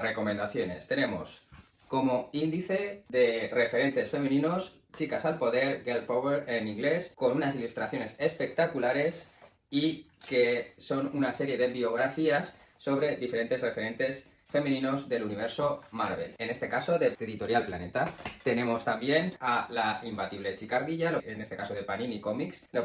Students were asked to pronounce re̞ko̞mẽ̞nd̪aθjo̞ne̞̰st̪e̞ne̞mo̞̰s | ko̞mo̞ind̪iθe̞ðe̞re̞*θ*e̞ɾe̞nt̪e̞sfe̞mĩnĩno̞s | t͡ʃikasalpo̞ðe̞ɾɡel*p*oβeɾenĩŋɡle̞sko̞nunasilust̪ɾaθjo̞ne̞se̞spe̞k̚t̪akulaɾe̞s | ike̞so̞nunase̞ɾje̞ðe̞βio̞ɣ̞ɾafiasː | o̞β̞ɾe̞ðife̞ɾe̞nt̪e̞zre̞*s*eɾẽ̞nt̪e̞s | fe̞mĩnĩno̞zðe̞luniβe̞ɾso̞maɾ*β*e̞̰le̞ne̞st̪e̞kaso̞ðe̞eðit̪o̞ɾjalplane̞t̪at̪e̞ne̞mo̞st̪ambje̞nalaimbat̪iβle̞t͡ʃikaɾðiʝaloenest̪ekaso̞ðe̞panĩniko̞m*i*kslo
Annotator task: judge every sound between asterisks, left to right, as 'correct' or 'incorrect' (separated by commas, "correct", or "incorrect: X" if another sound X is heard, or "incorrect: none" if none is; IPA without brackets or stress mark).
incorrect: f, correct, incorrect: f, correct, correct